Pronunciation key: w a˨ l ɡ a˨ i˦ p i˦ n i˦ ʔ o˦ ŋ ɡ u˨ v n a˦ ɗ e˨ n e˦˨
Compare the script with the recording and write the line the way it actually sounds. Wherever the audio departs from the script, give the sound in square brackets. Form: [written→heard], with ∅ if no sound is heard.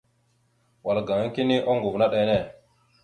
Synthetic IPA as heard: w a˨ l ɡ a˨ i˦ [p→k] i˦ n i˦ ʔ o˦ ŋ ɡ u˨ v n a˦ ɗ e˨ n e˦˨